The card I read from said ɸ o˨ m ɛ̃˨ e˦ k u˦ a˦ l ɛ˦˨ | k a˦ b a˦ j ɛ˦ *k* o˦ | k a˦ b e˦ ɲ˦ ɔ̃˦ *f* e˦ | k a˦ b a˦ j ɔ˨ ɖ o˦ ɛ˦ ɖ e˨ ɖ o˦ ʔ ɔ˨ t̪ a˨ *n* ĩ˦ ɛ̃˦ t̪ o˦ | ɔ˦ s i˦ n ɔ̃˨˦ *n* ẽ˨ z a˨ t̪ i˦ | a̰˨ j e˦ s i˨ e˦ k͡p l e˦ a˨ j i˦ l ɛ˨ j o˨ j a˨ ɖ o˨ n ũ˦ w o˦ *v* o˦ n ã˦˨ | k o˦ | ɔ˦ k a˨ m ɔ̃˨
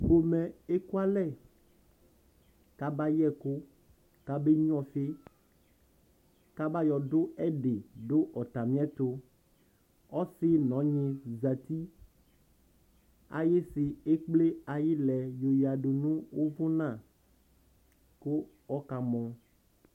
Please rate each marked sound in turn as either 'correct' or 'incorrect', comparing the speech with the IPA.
correct, correct, incorrect: m, incorrect: ɲ, correct

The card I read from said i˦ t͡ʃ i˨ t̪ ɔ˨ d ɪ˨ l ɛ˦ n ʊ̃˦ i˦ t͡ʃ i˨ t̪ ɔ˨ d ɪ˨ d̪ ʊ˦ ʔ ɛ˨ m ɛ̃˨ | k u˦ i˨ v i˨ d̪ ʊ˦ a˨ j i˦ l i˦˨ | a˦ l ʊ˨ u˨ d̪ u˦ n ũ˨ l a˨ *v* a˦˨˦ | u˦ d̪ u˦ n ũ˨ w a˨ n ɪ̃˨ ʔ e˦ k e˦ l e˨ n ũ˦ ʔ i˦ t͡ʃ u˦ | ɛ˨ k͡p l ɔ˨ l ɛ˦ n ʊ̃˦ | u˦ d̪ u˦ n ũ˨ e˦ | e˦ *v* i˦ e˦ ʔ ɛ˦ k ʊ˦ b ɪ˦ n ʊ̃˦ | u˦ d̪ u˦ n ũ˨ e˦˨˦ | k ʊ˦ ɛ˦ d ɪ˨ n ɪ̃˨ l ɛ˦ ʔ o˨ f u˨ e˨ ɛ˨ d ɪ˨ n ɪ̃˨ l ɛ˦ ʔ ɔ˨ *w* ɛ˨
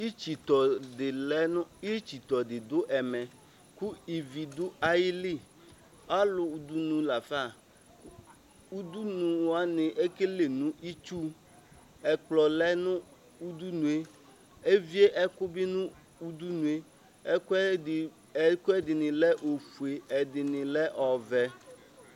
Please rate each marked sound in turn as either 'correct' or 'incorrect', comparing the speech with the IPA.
incorrect: f, correct, incorrect: v

